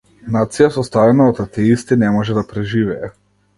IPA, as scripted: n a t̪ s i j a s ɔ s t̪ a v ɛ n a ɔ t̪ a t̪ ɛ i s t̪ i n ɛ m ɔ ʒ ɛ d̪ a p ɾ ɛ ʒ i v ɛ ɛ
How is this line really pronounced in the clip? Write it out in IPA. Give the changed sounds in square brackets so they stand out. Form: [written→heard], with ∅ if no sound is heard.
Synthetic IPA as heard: n a t̪ s i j a s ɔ s t̪ a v ɛ n a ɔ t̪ a t̪ ɛ i s t̪ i n ɛ m ɔ ʒ ɛ d̪ a p ɾ ɛ ʒ i v ɛ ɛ